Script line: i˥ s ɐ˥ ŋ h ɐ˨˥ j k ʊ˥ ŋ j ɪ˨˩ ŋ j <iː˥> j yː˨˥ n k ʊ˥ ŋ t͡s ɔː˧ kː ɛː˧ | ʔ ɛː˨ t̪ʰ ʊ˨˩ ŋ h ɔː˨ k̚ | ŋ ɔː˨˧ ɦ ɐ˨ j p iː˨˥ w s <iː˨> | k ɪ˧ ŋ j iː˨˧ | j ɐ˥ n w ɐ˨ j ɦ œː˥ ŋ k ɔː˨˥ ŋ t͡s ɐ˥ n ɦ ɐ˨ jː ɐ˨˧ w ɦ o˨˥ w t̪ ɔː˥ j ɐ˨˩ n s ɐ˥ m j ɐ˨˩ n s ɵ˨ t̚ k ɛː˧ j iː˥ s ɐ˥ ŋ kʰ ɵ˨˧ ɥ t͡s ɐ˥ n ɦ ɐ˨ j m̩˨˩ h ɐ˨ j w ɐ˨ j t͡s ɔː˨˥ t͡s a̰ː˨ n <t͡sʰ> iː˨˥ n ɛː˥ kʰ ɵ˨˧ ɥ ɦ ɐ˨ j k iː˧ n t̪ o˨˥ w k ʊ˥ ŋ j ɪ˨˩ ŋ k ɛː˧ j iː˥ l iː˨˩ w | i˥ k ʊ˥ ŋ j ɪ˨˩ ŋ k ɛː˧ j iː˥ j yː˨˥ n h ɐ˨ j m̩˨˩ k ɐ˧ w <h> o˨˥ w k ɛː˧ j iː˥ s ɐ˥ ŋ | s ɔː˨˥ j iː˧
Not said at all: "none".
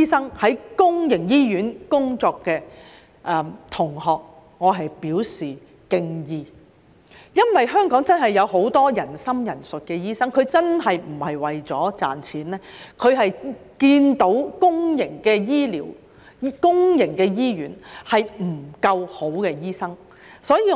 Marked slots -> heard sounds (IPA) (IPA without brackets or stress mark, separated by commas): iː˥, iː˨, t͡sʰ, h